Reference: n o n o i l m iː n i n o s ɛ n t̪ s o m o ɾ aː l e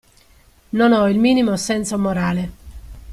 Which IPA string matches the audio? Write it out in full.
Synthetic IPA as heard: n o n ɔ i l m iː n i m o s ɛ n t̪ s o m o ɾ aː l e